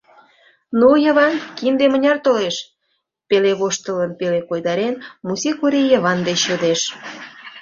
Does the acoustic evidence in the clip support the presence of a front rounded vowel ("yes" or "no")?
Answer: no